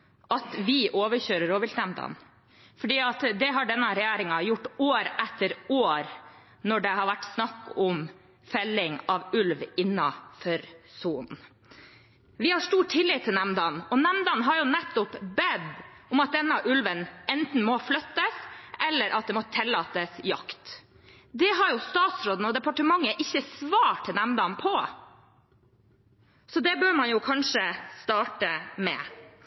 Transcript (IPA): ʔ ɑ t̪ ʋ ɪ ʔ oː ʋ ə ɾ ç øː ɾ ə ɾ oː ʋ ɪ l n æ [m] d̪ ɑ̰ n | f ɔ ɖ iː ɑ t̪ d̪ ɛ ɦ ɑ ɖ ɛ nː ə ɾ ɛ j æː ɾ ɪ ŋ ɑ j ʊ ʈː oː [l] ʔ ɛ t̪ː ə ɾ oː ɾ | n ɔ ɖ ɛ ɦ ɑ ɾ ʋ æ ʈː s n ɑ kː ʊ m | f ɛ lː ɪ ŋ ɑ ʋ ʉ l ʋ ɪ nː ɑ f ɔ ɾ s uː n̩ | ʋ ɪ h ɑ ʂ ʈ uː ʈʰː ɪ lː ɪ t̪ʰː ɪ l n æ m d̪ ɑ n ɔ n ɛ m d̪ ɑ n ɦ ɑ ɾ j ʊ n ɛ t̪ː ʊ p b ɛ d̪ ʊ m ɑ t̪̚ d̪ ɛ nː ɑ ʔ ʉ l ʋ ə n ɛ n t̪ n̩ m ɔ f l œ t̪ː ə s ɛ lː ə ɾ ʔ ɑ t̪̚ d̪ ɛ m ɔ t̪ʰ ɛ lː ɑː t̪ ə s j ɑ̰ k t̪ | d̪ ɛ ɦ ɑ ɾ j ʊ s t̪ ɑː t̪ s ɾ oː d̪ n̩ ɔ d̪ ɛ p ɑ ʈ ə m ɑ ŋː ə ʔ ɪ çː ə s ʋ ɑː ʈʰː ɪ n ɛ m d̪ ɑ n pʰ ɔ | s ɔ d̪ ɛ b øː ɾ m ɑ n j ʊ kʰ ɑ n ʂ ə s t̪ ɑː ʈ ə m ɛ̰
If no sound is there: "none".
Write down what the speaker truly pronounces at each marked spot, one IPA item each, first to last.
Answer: m, ɾ

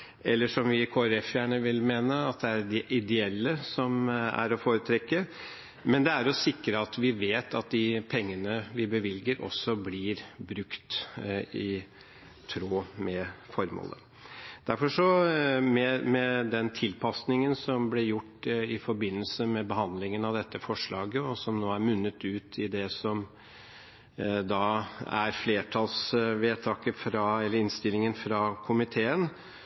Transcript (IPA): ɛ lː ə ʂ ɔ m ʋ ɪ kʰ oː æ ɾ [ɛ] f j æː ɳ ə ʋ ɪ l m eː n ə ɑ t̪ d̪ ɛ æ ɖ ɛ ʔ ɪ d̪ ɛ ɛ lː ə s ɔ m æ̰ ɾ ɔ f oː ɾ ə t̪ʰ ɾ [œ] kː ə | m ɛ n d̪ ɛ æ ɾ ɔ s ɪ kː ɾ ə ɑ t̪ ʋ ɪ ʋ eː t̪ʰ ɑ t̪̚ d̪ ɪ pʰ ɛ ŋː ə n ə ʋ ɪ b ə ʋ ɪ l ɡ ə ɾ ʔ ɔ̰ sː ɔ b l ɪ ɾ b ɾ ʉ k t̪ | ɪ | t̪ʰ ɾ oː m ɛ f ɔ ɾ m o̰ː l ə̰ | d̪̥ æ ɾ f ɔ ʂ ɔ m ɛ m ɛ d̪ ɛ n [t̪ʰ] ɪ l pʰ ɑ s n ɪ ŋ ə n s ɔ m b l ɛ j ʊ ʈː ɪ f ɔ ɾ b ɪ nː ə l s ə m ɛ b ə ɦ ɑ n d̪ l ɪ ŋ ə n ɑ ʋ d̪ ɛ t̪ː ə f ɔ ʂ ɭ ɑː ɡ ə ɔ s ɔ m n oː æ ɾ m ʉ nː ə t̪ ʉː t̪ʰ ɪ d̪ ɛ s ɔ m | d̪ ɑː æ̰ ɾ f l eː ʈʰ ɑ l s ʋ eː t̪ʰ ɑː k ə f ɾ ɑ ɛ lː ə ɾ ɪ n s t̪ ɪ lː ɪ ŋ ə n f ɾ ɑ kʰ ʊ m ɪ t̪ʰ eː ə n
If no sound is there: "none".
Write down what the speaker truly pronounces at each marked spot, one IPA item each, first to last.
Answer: ɛ, ɛ, t̪ʰ

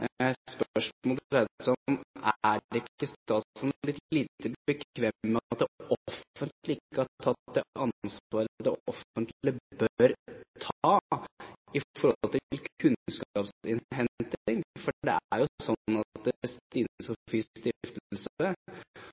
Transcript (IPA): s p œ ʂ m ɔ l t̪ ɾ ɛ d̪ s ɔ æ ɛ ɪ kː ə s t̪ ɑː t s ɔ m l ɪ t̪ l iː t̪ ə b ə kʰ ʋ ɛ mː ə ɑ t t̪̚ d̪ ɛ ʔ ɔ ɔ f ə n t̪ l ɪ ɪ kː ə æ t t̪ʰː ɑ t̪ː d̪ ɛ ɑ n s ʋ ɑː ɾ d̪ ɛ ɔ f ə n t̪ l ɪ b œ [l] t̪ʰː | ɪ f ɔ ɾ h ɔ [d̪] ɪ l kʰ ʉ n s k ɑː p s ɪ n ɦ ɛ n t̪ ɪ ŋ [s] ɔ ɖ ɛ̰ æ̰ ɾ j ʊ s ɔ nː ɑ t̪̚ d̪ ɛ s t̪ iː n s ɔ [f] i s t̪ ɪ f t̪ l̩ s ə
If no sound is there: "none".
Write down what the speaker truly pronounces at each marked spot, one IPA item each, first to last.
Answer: ɾ, t̪, f, f

